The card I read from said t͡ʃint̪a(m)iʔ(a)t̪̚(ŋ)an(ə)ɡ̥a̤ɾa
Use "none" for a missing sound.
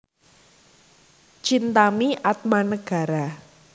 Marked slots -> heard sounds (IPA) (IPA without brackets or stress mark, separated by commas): m, a, m, ə